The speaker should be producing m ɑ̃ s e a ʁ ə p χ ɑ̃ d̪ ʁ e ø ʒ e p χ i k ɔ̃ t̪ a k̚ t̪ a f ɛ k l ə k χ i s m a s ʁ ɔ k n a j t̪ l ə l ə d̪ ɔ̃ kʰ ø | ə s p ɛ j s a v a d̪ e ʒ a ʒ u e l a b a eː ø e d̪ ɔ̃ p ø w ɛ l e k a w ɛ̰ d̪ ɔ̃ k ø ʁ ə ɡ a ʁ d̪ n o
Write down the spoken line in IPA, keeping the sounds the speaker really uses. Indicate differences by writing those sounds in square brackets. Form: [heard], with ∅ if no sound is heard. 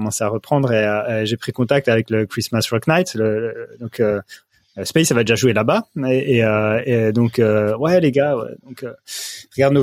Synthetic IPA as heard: m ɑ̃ s e a ʁ ə p χ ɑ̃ d̪ ʁ e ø ʒ e p χ i k ɔ̃ t̪ a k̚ t̪ a [v] ɛ k l ə k χ i s m a s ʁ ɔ k n a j t̪ l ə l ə d̪ ɔ̃ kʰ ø | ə s p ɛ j s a v a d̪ e ʒ a ʒ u e l a b a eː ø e d̪ ɔ̃ [k] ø w ɛ l e [ɡ] a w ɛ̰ d̪ ɔ̃ k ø ʁ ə ɡ a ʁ d̪ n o